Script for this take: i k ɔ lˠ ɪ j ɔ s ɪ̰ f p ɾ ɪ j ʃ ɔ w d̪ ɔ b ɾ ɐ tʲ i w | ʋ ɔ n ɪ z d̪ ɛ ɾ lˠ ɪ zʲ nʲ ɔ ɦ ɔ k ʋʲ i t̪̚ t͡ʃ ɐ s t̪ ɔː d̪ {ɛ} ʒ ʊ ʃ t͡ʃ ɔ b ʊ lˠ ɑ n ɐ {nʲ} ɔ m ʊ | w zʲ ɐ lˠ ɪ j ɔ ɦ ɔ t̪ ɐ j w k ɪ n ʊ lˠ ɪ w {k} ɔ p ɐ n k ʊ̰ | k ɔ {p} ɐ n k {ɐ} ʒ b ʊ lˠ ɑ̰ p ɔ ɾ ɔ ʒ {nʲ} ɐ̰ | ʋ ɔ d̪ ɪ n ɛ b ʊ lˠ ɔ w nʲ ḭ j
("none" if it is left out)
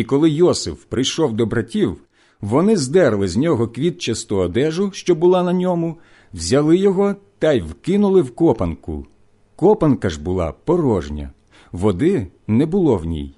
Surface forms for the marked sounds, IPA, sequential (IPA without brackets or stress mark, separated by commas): ɛ, nʲ, k, p, ɐ, nʲ